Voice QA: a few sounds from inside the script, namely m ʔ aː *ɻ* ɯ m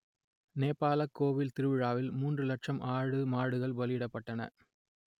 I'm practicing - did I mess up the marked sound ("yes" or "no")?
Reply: no